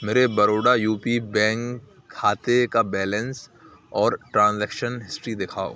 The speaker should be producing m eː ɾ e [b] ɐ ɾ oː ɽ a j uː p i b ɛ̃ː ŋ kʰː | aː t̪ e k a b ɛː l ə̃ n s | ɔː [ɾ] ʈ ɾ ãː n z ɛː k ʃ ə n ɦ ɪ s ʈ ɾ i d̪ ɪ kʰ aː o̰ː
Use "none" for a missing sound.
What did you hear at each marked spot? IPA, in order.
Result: b, ɾ

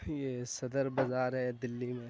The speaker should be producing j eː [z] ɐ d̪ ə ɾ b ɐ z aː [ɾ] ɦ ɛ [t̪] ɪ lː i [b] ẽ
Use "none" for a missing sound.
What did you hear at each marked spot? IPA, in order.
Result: s, ɾ, d̪, m

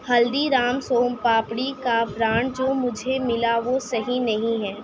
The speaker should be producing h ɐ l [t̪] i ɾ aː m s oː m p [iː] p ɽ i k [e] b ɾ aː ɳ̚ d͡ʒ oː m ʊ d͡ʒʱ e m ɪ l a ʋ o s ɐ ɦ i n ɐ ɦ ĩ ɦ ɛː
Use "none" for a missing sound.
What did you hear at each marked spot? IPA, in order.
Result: d̪, aː, a

